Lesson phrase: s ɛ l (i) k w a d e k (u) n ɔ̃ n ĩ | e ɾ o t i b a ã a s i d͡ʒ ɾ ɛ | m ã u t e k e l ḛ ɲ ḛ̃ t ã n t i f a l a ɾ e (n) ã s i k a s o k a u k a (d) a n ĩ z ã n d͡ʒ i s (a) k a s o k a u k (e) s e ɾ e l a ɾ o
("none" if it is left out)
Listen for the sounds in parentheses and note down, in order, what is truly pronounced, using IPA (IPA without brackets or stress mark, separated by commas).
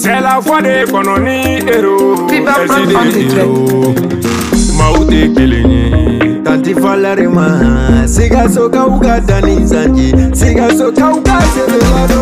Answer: a, ɔ, m, d, i, a